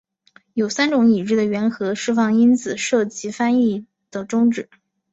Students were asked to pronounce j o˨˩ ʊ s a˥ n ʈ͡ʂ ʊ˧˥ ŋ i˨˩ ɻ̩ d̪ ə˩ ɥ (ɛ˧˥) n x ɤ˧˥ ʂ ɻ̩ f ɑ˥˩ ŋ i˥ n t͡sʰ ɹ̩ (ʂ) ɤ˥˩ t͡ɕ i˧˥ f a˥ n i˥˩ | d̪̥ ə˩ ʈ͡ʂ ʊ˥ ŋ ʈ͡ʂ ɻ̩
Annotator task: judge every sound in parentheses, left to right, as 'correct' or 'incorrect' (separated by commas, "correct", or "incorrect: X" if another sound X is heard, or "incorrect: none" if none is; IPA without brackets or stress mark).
correct, correct